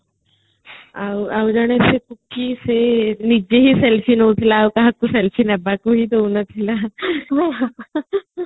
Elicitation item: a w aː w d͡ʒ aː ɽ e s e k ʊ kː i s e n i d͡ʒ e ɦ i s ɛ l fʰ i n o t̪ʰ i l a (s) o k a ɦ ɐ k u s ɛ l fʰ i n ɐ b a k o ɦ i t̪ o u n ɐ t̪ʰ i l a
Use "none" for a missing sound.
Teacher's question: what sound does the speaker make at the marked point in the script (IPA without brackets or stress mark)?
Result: none